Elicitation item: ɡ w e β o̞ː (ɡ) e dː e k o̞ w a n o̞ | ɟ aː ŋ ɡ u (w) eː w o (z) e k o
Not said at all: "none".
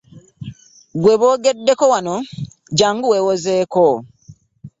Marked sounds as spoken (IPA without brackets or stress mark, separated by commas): ɡ, w, z